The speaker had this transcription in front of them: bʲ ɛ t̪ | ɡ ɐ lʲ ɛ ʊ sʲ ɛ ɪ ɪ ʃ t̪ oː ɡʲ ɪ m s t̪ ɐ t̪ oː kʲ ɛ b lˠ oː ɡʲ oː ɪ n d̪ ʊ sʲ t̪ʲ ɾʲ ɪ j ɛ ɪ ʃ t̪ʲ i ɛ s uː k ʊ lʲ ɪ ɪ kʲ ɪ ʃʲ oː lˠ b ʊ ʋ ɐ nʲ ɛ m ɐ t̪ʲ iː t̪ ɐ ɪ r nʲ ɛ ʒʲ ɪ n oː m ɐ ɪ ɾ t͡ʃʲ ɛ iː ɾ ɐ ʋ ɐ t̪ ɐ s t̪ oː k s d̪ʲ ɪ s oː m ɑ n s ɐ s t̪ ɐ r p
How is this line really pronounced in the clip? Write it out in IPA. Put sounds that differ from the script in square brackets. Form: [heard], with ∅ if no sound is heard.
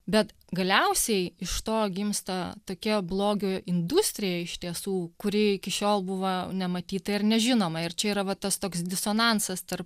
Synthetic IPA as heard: bʲ ɛ t̪ | ɡ ɐ lʲ ɛ ʊ sʲ ɛ ɪ ɪ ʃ t̪ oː ɡʲ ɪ m s t̪ ɐ t̪ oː kʲ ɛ b lˠ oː ɡʲ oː ɪ n d̪ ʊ sʲ t̪ʲ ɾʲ ɪ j ɛ ɪ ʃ t̪ʲ i ɛ s uː k ʊ [ɾʲ] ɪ ɪ kʲ ɪ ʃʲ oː lˠ b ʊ ʋ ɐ nʲ ɛ m ɐ t̪ʲ iː t̪ ɐ ɪ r nʲ ɛ ʒʲ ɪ n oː m ɐ ɪ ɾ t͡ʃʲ ɛ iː ɾ ɐ ʋ ɐ t̪ ɐ s t̪ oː k s d̪ʲ ɪ s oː [n] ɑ n s ɐ s t̪ ɐ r p